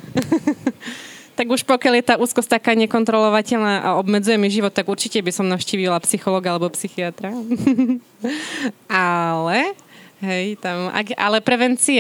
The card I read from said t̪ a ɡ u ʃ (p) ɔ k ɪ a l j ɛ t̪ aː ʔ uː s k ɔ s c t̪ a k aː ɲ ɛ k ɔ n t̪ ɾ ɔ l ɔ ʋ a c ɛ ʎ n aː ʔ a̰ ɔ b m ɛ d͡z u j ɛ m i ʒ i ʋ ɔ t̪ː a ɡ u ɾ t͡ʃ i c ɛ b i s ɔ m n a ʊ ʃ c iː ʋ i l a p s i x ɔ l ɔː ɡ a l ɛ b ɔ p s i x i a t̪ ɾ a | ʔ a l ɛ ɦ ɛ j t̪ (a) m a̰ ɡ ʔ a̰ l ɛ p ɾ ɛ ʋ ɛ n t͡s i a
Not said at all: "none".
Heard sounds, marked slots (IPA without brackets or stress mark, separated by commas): p, a